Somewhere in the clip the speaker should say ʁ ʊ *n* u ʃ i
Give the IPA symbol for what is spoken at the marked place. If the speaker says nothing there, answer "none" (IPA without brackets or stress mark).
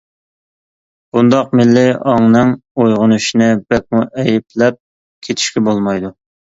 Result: n